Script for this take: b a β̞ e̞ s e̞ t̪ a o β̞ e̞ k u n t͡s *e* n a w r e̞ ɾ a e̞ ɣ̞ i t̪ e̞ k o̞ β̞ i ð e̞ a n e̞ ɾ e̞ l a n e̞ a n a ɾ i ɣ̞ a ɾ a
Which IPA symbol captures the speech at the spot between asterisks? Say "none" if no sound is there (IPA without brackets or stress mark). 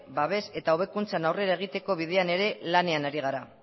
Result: a